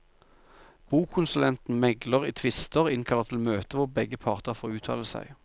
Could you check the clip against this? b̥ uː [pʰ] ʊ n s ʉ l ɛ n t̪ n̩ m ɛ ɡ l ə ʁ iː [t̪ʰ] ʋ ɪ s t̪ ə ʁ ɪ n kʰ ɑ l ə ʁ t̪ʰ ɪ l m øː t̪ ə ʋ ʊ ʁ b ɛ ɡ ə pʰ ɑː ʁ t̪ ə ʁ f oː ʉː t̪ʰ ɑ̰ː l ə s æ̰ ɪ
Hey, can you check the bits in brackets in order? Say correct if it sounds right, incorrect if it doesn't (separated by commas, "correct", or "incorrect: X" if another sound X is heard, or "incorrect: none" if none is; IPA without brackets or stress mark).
incorrect: kʰ, correct